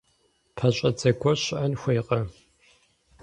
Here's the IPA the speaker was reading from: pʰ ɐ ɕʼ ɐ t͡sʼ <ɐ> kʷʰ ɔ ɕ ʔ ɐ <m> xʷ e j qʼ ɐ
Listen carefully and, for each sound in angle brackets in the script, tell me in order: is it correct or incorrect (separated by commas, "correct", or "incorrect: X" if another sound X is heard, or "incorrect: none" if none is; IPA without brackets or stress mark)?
correct, incorrect: n